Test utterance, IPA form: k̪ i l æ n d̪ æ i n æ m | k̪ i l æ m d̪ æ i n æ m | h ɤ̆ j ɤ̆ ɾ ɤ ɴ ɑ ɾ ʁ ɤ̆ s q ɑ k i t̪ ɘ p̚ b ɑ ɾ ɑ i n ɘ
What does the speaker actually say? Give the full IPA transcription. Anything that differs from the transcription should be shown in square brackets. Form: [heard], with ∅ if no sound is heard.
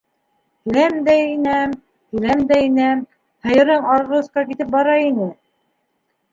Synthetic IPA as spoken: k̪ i l æ [m] d̪ æ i n æ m | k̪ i l æ m d̪ æ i n æ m | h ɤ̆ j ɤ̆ ɾ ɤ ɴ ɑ ɾ ʁ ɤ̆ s q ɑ k i t̪ ɘ p̚ b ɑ ɾ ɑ i n ɘ